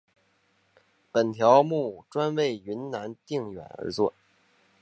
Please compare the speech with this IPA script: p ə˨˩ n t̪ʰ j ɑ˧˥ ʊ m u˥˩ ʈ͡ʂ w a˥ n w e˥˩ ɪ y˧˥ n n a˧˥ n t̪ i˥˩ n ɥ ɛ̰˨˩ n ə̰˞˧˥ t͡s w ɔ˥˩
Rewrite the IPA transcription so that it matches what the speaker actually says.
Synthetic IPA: p ə˨˩ n t̪ʰ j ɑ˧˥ ʊ m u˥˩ ʈ͡ʂ w a˥ n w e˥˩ ɪ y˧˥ n n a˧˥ n t̪ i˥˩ ŋ ɥ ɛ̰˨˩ n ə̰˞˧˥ t͡s w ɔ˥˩